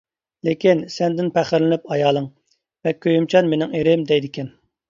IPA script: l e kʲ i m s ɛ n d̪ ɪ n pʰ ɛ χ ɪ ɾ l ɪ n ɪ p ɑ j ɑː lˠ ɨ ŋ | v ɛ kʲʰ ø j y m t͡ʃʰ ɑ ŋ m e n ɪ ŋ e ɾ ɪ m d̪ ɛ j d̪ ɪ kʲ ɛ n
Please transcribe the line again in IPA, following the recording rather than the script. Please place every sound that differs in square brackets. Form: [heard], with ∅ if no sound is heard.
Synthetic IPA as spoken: l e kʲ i [n] s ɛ n d̪ ɪ n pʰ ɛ χ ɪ ɾ l ɪ n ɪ p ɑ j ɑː lˠ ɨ ŋ | v ɛ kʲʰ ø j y m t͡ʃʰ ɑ [n] m e n ɪ ŋ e ɾ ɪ m d̪ ɛ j d̪ ɪ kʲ ɛ n